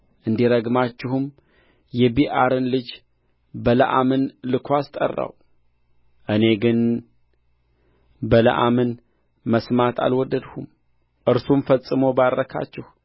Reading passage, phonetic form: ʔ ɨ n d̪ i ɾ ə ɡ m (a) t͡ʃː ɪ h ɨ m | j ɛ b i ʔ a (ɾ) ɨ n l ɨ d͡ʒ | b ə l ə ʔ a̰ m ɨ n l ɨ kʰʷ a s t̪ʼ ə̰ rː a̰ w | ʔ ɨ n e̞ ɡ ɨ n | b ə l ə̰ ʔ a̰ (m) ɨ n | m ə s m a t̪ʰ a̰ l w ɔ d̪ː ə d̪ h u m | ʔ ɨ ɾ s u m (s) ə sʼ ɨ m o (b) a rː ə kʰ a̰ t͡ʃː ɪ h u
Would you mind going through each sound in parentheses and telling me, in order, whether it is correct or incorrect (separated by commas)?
correct, correct, correct, incorrect, correct